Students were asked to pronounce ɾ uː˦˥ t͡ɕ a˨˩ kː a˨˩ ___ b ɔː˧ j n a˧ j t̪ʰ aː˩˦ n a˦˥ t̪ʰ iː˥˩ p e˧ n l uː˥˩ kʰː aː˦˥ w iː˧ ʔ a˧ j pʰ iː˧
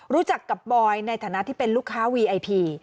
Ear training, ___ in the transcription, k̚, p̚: p̚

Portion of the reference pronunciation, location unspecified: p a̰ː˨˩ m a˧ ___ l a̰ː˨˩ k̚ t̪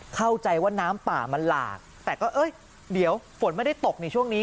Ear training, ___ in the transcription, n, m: n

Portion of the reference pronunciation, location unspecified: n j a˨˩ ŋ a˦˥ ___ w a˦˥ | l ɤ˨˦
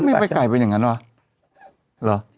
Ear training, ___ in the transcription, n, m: n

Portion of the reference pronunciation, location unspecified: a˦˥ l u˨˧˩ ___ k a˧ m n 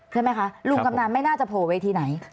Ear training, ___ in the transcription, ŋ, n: ŋ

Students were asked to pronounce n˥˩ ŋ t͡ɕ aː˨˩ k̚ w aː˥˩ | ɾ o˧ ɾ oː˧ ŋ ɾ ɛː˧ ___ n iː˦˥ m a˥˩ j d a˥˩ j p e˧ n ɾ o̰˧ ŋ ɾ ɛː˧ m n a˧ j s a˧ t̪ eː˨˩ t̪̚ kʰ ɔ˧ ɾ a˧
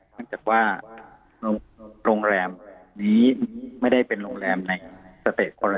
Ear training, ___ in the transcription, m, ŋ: m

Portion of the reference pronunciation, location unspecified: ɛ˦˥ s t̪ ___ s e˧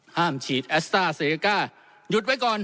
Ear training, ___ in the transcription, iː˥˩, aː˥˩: aː˥˩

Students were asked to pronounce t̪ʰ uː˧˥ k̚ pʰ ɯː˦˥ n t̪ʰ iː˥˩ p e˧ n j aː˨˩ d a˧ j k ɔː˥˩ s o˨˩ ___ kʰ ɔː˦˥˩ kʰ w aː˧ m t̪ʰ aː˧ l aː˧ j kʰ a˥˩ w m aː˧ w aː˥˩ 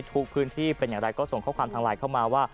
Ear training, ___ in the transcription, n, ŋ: ŋ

